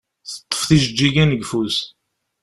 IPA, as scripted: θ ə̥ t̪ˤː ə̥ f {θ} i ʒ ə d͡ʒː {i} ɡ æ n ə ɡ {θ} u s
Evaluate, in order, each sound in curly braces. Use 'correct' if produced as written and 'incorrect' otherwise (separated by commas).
correct, correct, incorrect